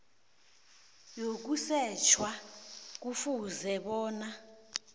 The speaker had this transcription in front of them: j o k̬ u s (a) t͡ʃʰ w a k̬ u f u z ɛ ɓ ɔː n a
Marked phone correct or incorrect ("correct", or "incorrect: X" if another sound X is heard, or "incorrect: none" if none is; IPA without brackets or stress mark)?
incorrect: ɛ